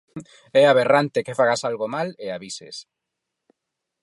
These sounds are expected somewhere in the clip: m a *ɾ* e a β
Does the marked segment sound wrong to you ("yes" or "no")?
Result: yes